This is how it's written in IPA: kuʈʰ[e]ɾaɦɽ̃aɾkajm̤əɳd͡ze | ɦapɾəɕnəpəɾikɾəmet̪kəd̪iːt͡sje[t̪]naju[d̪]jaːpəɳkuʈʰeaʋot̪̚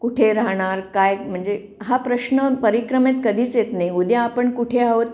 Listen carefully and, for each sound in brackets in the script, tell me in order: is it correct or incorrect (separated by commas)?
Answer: correct, correct, correct